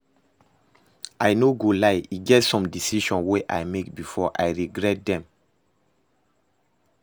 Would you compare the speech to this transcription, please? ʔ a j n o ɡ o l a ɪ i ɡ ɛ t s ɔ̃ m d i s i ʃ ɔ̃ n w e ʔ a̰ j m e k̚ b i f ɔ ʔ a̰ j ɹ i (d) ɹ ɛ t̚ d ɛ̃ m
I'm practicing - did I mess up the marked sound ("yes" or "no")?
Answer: yes